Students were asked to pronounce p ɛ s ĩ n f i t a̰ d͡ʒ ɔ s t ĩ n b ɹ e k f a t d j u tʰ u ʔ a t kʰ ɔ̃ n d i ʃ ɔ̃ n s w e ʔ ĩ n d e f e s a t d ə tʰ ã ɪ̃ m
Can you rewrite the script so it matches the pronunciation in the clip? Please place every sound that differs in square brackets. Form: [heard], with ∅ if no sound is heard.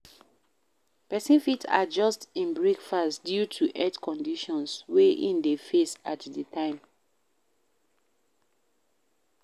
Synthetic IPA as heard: p ɛ s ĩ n f i t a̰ d͡ʒ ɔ s t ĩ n b ɹ e k f a [s] d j u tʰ u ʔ [ɛ] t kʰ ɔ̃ n d i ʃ ɔ̃ n s w e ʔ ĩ n d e f e s a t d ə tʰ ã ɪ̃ m